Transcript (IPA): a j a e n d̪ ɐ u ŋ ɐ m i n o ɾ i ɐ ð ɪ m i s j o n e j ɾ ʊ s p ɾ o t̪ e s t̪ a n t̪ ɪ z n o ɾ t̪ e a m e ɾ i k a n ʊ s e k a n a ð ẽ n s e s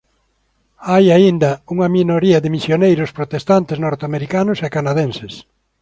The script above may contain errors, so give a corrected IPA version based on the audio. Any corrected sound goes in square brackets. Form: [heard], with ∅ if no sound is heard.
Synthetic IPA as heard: a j a [i] n d̪ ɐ u ŋ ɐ m i n o ɾ i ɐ ð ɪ m i s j o n e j ɾ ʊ s p ɾ o t̪ e s t̪ a n t̪ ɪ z n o ɾ t̪ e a m e ɾ i k a n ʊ s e k a n a ð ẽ n s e s